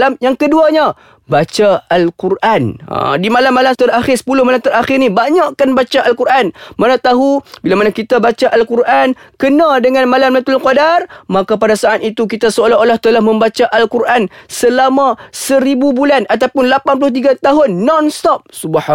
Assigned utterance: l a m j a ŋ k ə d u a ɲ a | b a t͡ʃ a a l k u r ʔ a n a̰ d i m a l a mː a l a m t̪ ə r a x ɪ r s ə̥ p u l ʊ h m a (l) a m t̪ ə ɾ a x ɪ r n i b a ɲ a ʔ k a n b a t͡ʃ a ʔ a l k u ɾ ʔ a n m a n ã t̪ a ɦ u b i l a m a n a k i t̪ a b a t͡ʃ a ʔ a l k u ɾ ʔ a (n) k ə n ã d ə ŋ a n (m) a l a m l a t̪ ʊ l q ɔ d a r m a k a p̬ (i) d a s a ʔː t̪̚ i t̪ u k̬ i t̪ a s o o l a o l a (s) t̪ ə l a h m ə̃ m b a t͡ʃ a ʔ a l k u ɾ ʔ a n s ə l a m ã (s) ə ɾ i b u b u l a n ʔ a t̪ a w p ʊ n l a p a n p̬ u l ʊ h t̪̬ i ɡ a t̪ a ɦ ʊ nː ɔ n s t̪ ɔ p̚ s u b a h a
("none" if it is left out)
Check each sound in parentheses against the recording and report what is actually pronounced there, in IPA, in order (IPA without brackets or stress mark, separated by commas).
l, n, m, a, h, s